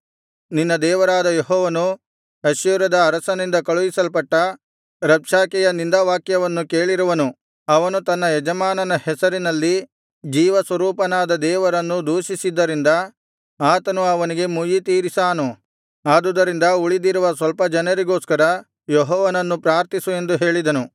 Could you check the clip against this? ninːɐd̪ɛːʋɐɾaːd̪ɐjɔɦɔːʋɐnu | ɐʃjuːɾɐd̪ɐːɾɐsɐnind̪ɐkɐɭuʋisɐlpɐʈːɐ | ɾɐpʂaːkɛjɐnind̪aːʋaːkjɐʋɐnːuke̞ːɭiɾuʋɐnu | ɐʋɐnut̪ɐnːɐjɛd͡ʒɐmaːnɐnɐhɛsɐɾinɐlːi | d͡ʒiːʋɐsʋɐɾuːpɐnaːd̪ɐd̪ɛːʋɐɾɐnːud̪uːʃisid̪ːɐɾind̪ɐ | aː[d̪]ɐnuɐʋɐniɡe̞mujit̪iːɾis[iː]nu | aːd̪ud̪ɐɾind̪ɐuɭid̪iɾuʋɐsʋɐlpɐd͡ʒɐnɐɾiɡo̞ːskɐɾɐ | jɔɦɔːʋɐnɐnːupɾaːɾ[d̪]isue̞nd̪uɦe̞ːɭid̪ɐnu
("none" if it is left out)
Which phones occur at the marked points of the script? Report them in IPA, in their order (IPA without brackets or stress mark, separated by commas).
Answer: t̪, aː, t̪